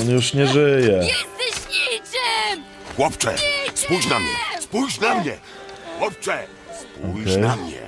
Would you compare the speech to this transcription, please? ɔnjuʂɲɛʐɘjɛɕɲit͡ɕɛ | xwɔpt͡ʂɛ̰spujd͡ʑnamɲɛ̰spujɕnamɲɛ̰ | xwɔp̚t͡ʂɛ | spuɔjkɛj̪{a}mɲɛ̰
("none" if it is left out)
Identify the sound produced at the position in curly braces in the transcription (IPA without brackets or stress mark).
a